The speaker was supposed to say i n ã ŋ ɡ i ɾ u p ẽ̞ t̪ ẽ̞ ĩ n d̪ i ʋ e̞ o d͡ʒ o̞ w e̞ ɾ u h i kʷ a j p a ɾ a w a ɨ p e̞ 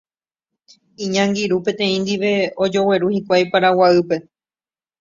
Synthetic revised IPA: i ɲ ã ŋ ɡ i ɾ u p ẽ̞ t̪ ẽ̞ ĩ n d̪ i ʋ e̞ o d͡ʒ o̞ w e̞ ɾ u h i kʷ a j p a ɾ a w a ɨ p e̞